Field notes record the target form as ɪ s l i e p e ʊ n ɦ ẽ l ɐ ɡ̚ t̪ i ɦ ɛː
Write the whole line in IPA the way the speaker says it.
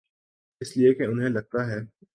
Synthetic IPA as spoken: ɪ s l i e k e ʊ n ɦ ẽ l ɐ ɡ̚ t̪ a ɦ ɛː